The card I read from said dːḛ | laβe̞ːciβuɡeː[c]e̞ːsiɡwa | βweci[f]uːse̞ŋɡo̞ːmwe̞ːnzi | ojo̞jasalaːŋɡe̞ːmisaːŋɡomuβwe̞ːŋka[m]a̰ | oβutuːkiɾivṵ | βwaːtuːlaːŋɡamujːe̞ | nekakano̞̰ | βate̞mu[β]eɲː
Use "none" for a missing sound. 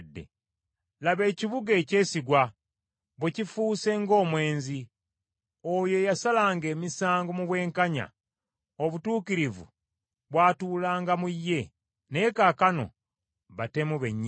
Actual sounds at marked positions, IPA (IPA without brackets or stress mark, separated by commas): c, f, ɲ, β